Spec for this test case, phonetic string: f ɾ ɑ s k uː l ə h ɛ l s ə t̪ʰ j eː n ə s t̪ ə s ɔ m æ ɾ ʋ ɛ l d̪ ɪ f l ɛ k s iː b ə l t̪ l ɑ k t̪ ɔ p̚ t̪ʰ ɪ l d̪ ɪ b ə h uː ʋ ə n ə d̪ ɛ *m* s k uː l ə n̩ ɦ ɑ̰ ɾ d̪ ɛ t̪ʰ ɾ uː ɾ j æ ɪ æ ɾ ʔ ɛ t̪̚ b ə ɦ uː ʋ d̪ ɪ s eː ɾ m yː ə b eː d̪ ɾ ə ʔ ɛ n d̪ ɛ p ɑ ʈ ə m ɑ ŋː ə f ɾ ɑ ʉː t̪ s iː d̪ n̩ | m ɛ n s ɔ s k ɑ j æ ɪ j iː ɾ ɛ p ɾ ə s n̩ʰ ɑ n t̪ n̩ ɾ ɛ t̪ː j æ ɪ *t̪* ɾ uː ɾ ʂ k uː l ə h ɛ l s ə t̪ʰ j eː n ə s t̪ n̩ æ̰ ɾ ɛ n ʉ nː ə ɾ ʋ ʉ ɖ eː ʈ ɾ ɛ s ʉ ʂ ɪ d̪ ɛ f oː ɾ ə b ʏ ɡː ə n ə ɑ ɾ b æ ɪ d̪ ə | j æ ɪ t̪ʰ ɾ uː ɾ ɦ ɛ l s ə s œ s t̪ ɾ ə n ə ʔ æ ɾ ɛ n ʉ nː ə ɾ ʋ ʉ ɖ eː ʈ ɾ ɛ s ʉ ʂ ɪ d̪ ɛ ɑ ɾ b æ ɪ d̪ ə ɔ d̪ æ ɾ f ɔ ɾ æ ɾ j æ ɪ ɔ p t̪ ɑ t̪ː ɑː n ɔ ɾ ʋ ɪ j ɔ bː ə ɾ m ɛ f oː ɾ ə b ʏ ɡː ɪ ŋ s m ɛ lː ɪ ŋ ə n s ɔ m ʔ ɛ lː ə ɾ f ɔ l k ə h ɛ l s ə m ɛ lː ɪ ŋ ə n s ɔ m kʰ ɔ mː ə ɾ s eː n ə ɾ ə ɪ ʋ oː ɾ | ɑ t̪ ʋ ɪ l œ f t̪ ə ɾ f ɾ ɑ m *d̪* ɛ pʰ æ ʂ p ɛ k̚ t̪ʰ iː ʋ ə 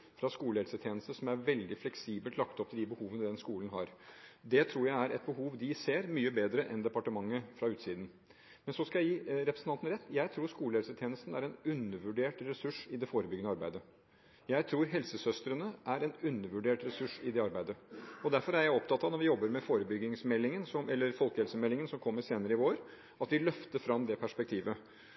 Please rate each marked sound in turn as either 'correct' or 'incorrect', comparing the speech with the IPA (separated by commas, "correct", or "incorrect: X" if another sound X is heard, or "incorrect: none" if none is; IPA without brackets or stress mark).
incorrect: n, incorrect: t̪ʰ, correct